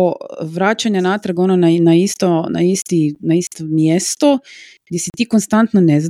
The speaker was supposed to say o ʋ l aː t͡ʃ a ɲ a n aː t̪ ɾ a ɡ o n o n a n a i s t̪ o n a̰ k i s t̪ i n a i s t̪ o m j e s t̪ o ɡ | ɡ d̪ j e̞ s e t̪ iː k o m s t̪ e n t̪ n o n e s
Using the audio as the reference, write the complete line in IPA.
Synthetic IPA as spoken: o ʋ ɾ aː t͡ʃ a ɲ a n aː t̪ ɾ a ɡ o n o n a n a i s t̪ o n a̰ i s t̪ i n a i s t̪ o m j e s t̪ o | ɡ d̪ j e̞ s i t̪ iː k o n s t̪ a n t̪ n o n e z